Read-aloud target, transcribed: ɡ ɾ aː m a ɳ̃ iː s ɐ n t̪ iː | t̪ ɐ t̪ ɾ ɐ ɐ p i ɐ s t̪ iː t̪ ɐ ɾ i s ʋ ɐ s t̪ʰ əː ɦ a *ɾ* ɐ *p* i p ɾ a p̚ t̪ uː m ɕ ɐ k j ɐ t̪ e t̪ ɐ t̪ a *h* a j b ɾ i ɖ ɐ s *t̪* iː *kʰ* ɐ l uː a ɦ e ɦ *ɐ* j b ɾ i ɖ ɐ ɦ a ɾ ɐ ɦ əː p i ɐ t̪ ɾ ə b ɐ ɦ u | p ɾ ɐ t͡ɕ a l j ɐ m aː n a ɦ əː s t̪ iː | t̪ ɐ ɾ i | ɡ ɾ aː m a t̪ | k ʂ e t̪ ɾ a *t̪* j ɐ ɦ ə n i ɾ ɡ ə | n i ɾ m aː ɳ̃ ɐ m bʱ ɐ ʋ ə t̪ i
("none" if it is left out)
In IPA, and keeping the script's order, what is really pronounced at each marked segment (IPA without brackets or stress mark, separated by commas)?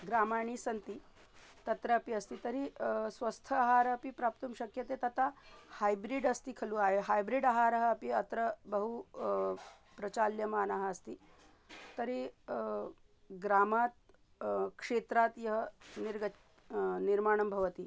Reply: ɾ, p, h, t̪, kʰ, a, t̪